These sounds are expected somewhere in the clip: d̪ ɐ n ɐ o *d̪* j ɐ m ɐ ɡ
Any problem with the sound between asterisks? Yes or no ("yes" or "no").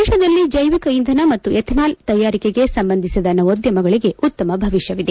no